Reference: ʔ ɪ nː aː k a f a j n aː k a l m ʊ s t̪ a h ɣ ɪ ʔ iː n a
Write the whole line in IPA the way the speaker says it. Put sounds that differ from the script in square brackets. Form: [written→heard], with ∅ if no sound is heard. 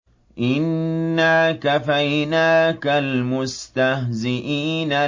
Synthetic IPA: ʔ ɪ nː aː k a f a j n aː k a l m ʊ s t̪ a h [ɣ→z] ɪ ʔ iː n a